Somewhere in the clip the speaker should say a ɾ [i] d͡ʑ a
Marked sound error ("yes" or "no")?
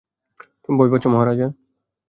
yes